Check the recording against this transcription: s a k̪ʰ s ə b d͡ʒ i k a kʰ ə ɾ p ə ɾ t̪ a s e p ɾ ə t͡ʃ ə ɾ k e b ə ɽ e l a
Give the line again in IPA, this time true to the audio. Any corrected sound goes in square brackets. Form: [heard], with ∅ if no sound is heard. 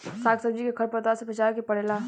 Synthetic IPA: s a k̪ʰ s ə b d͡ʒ i k [e] kʰ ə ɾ p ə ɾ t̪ a s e p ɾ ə t͡ʃ [a] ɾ k e [p] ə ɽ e l a